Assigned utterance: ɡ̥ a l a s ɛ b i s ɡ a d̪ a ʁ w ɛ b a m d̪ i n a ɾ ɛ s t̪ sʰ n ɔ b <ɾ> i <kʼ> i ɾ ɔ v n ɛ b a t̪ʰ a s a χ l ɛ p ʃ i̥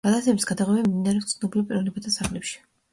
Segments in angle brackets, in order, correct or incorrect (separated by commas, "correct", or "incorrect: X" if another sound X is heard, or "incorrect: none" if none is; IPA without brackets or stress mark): incorrect: l, incorrect: pʼ